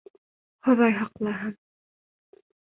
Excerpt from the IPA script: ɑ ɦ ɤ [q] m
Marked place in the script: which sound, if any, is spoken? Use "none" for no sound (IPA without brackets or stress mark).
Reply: none